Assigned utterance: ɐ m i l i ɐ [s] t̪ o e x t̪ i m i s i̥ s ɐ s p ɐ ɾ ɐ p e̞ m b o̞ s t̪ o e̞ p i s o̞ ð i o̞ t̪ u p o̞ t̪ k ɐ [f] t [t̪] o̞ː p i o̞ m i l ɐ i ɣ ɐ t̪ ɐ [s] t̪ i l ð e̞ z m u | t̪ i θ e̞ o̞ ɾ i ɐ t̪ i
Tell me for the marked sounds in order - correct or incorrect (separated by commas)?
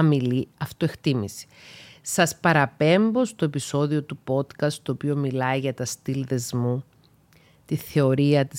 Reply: incorrect, incorrect, correct, correct